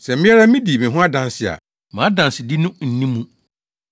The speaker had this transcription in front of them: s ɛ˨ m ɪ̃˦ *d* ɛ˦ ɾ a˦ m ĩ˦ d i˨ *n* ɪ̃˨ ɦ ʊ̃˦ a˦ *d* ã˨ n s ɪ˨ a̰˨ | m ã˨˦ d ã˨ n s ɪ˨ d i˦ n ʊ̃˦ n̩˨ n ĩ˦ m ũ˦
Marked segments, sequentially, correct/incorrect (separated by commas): incorrect, incorrect, correct